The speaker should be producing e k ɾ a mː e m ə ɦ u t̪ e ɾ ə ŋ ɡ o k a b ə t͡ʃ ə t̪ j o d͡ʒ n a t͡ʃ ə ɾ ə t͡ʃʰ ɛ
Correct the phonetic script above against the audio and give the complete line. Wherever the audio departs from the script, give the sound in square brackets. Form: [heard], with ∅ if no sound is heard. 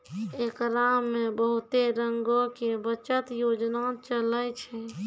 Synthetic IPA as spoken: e k ɾ a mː e [b] ə ɦ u t̪ e ɾ ə ŋ ɡ o k [e] b ə t͡ʃ ə t̪ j o d͡ʒ n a t͡ʃ ə [l] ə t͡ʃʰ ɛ